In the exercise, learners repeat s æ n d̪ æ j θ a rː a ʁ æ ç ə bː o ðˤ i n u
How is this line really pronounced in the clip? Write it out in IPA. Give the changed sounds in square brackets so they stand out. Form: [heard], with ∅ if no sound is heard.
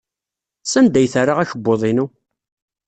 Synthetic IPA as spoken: s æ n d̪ æ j θ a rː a ʁ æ ç ə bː o ðˤ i n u